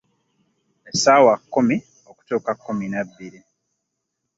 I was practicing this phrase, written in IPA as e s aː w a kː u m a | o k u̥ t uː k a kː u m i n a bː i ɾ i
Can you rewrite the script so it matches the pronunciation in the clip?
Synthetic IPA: e s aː w a kː u m i | o k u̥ t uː k a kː u m i n a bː i ɾ i